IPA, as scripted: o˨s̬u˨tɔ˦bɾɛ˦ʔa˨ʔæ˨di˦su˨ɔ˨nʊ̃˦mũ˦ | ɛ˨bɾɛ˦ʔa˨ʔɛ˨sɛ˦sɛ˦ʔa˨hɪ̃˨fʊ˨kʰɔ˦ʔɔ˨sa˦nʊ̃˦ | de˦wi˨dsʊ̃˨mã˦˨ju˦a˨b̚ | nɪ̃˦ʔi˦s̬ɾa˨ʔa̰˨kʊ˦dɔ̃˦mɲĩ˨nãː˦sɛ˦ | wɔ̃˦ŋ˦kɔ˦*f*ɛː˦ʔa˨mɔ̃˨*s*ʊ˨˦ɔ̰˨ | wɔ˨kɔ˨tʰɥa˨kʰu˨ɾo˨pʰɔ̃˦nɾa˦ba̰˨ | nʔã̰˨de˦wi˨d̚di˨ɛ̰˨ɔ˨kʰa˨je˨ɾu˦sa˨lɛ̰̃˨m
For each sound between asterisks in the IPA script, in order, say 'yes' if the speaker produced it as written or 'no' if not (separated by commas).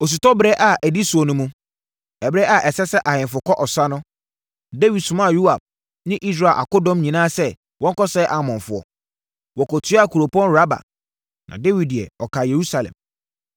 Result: no, no